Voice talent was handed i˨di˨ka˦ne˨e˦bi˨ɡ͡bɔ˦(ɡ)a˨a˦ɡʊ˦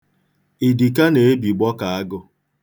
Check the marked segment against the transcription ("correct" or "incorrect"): incorrect